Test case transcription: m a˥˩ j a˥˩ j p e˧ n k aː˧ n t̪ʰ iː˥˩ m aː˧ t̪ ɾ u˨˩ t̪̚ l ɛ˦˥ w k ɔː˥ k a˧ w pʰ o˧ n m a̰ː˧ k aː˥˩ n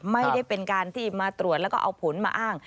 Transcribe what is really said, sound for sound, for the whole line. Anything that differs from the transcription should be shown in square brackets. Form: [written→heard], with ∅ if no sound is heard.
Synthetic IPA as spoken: m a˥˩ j a˥˩ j p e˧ n k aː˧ n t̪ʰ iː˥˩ m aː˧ t̪ ɾ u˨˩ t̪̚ l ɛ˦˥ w k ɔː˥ [k→ʔ] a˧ w pʰ [o˧→o˩˦] n m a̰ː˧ [k→ʔ] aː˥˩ [n→ŋ]